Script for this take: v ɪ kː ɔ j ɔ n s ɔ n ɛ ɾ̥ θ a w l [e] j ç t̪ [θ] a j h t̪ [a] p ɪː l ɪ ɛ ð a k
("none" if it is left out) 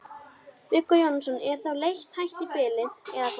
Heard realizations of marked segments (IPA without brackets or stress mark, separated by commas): e, h, i